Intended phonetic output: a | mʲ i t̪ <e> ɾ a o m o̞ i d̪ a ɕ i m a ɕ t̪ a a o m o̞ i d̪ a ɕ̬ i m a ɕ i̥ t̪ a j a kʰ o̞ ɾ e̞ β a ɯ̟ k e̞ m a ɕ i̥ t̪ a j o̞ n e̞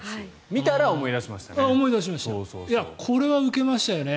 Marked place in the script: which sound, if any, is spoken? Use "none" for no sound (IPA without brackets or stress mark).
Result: a